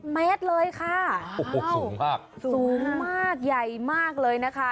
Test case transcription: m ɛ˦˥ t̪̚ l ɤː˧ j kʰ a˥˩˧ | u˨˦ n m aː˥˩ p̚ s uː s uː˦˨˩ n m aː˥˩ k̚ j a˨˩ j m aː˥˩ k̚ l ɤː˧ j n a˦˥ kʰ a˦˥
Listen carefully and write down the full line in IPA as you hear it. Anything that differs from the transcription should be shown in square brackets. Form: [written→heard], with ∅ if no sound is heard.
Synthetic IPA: m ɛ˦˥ t̪̚ l ɤː˧ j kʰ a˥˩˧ | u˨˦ [n→ŋ] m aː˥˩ [p̚→k̚] s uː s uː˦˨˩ [n→ŋ] m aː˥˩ k̚ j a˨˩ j m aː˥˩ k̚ l ɤː˧ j n a˦˥ kʰ a˦˥